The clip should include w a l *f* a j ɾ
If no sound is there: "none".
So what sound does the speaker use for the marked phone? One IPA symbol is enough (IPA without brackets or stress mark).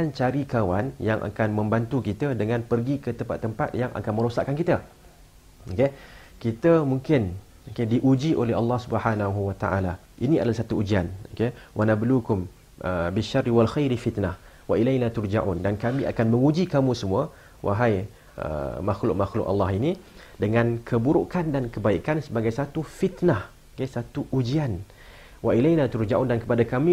x